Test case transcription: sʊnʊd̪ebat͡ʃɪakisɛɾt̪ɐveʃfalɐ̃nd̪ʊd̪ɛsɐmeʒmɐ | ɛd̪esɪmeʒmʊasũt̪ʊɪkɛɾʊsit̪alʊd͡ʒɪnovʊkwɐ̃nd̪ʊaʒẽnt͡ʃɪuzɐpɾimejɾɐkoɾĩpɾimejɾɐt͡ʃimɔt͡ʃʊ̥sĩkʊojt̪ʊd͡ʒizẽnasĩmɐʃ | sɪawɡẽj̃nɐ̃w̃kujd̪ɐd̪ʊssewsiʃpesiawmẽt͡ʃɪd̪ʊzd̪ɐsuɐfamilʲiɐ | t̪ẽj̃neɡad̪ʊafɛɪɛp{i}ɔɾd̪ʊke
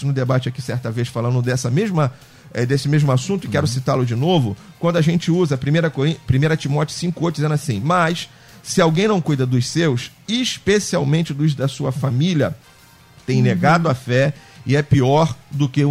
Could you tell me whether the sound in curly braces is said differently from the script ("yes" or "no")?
no